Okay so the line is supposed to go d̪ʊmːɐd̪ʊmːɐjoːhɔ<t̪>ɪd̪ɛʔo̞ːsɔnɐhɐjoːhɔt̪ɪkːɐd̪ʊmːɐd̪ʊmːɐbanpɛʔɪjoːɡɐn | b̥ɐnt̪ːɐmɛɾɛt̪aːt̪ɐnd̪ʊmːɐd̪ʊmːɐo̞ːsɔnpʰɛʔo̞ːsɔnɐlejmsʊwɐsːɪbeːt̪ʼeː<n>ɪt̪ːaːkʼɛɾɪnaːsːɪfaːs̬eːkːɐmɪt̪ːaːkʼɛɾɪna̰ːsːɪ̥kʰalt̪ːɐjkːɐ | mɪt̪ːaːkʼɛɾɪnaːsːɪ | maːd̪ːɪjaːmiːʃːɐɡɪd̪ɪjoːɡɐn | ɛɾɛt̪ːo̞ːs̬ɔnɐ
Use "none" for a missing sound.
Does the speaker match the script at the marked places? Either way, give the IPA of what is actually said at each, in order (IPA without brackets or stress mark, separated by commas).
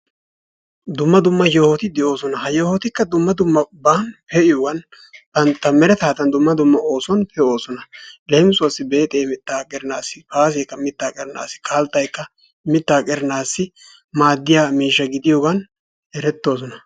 t̪, m